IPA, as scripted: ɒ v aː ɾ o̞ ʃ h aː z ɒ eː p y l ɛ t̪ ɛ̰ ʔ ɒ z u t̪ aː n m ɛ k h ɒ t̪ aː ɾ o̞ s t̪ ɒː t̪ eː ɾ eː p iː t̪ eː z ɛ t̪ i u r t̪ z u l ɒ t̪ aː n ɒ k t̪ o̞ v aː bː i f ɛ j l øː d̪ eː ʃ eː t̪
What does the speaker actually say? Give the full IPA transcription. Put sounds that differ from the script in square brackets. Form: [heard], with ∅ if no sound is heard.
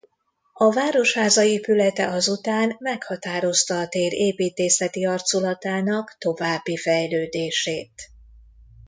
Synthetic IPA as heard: ɒ v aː ɾ o̞ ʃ h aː z ɒ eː p y l ɛ t̪ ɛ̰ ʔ ɒ z u t̪ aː n m ɛ k h ɒ t̪ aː ɾ o̞ s t̪ ɒː t̪ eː ɾ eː p iː t̪ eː [s] ɛ t̪ i [ɒ] r t̪ [s] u l ɒ t̪ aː n ɒ k t̪ o̞ v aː bː i f ɛ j l øː d̪ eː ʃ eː t̪